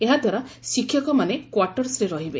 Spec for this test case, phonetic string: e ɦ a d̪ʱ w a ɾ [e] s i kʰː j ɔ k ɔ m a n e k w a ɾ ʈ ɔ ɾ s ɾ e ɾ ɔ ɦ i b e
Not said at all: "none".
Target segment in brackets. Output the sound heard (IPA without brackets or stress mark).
a